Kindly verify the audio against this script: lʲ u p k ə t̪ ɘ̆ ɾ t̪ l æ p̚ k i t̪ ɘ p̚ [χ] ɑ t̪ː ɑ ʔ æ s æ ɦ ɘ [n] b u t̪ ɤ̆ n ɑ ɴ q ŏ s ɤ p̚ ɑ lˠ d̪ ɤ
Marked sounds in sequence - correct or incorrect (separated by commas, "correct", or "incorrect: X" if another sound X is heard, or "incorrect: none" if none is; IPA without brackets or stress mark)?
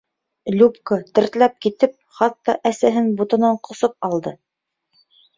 correct, correct